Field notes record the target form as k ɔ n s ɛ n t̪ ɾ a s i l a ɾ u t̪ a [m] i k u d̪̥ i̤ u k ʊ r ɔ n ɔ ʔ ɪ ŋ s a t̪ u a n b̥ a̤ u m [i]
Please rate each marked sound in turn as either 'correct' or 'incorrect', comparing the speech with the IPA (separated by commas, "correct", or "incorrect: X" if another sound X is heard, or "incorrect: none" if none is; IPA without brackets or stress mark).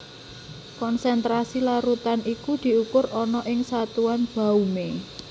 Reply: incorrect: n, incorrect: e